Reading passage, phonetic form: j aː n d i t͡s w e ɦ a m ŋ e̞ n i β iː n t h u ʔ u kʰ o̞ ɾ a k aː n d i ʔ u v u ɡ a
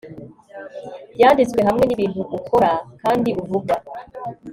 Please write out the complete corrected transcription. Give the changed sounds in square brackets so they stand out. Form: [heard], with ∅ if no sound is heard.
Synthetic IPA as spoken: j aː n d i t͡s w e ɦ a m ŋ e̞ n i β iː n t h u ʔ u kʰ o̞ ɾ a k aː n d i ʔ u v u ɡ a